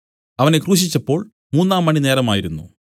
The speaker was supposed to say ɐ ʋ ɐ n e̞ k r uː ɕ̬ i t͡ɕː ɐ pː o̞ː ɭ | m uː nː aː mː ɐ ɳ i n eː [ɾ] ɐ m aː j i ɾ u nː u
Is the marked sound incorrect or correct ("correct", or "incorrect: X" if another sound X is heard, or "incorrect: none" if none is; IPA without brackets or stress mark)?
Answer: correct